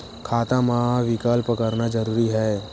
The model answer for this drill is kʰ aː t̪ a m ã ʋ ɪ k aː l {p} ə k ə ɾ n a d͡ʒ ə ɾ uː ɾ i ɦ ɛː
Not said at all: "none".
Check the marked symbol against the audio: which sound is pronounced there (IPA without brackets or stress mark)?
p